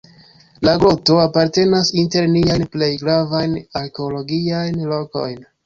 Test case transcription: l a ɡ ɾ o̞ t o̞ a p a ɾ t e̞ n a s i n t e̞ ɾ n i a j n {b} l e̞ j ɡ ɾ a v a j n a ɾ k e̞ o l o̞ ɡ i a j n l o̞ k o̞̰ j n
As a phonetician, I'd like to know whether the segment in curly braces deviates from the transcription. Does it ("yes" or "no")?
yes